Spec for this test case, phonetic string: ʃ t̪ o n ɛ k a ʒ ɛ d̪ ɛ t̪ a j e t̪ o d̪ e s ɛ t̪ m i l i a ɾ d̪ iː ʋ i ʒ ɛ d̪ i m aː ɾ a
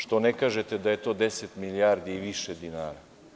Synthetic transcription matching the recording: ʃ t̪ o n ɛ k a ʒ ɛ t̪ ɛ d̪ a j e t̪ o d̪ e s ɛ t̪ m i l i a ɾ d̪ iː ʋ i ʃ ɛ d̪ i n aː ɾ a